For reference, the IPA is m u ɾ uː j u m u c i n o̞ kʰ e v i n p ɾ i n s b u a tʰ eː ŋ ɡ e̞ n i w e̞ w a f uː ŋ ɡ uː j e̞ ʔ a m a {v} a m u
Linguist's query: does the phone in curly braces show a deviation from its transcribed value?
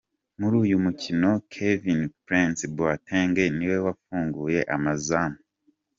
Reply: yes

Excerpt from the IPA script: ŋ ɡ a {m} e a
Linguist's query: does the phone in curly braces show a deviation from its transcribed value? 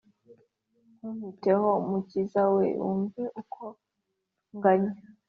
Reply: yes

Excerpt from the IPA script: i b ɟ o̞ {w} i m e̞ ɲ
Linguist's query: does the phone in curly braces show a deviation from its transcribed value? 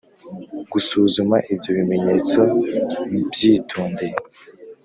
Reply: yes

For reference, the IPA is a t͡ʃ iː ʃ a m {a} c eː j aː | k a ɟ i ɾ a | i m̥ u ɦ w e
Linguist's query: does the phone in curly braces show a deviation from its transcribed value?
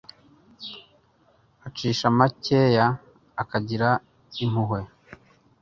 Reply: no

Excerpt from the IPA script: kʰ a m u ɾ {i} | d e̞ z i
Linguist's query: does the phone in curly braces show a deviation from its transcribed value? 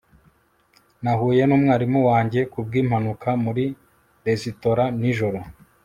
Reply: no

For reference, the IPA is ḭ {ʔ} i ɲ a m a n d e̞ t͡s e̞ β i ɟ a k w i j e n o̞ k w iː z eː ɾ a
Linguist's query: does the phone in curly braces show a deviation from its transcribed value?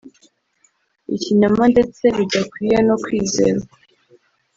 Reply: yes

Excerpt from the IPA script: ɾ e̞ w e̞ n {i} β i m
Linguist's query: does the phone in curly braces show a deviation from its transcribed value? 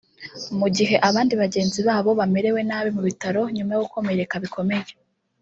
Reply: yes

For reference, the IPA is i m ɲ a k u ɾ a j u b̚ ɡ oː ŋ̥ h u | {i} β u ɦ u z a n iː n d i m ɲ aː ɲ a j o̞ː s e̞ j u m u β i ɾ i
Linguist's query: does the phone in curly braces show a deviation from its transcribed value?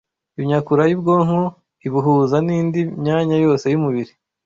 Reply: no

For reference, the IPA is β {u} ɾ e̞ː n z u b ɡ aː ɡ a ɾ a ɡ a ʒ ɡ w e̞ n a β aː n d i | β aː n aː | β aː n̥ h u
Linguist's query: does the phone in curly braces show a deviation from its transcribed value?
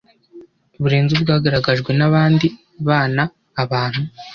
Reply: no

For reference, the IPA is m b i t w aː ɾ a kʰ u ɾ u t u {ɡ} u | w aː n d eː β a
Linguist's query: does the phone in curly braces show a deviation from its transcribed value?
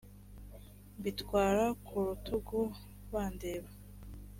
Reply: no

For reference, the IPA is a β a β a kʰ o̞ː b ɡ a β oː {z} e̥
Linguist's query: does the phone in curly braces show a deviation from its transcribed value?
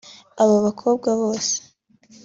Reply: yes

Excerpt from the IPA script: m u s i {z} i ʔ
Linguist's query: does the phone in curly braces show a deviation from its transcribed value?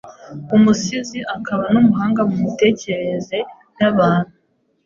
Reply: no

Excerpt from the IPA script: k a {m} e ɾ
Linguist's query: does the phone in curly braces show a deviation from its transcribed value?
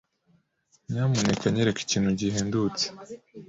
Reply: yes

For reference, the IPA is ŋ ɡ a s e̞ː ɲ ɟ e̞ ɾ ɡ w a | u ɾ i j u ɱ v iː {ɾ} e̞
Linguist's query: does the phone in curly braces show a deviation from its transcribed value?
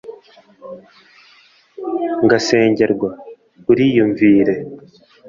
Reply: no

